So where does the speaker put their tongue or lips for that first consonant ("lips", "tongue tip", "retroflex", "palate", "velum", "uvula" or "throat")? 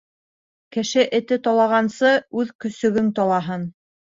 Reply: velum